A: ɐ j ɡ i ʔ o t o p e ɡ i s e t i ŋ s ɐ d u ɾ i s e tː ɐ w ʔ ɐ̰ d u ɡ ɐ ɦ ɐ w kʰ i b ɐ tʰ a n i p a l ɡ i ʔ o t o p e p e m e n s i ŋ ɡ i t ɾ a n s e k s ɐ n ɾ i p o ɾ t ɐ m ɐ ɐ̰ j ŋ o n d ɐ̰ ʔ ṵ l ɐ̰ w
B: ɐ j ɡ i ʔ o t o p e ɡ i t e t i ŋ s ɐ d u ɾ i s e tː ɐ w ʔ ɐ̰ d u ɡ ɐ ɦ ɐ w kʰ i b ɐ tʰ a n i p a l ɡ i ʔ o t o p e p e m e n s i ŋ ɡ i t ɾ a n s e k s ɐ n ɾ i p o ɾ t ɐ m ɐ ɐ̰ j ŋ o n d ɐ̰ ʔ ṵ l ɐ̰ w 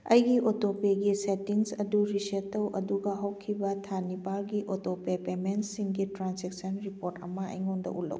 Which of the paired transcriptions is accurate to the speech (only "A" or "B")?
A